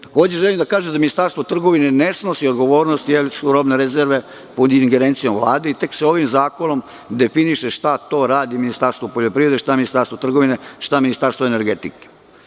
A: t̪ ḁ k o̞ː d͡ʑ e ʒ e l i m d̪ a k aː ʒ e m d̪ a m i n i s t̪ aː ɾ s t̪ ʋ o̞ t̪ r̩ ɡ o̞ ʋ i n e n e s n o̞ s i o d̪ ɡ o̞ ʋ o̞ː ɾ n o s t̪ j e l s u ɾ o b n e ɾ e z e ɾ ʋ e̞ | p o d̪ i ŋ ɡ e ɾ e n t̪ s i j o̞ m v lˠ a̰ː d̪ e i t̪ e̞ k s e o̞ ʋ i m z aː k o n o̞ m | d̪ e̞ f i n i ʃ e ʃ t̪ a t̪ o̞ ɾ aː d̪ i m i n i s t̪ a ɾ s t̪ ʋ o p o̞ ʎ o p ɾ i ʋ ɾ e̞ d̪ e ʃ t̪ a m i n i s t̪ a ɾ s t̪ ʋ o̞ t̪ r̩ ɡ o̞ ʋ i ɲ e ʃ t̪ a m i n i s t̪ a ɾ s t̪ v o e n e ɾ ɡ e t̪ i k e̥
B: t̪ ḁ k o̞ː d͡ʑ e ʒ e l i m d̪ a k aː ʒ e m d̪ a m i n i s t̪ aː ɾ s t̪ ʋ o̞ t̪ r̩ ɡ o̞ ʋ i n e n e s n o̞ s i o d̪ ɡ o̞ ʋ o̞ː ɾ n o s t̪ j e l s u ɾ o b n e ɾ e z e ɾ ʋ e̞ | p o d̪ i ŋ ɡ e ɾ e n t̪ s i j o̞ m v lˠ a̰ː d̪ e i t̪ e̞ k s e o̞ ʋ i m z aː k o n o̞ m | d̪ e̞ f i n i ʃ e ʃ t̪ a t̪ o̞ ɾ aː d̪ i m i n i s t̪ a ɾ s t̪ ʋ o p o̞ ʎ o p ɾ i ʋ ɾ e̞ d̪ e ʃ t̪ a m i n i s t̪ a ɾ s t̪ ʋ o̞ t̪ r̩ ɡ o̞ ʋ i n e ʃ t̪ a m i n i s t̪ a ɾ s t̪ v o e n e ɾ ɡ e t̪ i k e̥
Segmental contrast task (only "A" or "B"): B